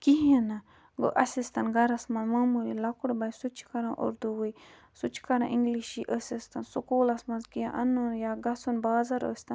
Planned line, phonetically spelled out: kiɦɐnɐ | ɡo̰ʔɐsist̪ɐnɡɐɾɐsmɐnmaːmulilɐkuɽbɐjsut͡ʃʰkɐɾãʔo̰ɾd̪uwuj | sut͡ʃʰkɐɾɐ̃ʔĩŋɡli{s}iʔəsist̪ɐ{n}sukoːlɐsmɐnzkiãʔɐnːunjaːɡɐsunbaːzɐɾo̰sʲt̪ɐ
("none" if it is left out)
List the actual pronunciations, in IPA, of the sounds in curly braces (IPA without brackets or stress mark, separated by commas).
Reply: ʃ, n